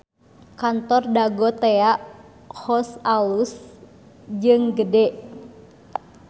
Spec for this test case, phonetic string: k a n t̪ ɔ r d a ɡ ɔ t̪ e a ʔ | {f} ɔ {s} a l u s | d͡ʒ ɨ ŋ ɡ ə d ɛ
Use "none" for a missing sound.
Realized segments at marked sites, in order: h, s

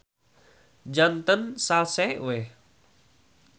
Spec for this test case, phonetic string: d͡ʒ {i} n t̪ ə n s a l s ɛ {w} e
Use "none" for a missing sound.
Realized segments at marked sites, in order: a, w

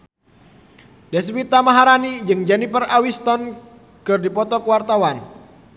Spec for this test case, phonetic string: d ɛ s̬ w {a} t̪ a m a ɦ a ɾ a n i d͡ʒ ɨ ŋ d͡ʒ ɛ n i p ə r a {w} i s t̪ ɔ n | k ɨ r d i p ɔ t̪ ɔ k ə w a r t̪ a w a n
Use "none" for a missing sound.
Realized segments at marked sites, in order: i, w

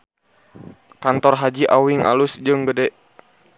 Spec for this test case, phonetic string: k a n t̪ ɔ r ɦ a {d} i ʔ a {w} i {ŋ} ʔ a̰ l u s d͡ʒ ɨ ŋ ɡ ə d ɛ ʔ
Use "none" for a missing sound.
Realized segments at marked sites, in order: d͡ʒ, w, ŋ

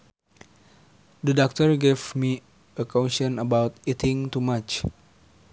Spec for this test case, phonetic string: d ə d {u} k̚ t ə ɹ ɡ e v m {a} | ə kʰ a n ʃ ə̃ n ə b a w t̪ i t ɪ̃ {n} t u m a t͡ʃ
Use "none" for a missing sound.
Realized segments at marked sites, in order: ɔ, i, ŋ

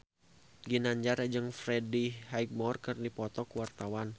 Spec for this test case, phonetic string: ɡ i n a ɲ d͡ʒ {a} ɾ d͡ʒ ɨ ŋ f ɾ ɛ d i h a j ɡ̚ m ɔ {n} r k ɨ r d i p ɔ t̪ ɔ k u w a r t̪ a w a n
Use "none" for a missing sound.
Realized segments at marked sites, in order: a, none

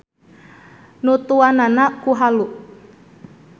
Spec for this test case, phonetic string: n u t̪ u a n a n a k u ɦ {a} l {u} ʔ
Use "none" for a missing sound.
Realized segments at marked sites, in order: a, u

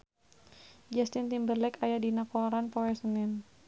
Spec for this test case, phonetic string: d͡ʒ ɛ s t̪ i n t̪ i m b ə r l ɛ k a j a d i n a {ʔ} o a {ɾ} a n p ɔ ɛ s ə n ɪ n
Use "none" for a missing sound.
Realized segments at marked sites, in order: k, ɾ

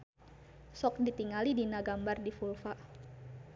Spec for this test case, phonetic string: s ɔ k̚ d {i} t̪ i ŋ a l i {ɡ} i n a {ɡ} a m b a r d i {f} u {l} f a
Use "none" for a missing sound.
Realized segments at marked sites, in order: i, d, ɡ, f, l

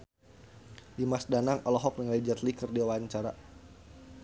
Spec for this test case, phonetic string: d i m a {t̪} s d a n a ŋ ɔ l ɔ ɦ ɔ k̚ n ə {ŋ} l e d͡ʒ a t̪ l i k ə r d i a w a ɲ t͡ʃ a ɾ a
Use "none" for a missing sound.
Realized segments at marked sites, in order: none, ŋ

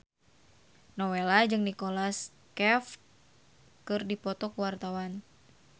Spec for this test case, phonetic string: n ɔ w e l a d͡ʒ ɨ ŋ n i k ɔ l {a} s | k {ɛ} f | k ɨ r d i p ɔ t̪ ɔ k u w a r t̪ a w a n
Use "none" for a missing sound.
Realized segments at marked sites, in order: a, ɛ

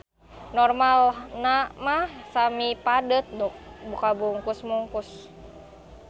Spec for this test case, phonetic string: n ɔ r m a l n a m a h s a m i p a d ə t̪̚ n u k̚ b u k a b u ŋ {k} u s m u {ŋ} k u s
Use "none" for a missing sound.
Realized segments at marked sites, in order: k, ŋ

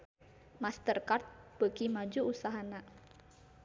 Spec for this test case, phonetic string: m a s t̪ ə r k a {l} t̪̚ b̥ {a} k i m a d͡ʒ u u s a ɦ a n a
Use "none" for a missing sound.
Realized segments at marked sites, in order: r, ə

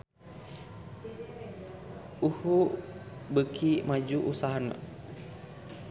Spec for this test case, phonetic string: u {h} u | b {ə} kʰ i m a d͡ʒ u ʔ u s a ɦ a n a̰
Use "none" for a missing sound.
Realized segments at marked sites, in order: h, ə

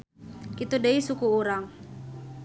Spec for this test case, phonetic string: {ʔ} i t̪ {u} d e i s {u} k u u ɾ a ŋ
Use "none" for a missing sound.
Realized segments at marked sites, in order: k, u, u

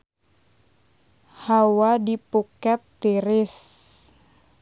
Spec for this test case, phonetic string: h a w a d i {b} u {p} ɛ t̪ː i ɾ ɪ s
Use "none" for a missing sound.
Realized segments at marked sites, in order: p, k

